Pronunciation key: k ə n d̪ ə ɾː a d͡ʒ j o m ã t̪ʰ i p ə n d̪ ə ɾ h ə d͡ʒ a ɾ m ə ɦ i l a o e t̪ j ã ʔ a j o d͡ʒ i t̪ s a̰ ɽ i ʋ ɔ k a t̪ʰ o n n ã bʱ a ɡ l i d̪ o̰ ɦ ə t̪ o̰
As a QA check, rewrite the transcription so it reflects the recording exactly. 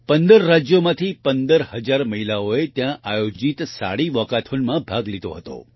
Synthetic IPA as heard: p ə n d̪ ə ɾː a d͡ʒ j o m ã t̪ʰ i p ə n d̪ ə ɾ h ə d͡ʒ a ɾ m ə ɦ i l a o e t̪ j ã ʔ a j o d͡ʒ i t̪ s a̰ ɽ i ʋ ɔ k a t̪ʰ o n m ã bʱ a ɡ l i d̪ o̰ ɦ ə t̪ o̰